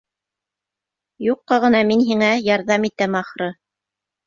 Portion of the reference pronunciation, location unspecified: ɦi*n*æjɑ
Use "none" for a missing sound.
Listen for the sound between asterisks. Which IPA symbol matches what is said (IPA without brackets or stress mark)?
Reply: ŋ